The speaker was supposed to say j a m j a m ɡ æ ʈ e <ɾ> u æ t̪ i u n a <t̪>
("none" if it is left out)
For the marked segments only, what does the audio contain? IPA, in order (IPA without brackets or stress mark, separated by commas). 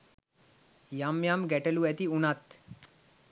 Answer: l, t̪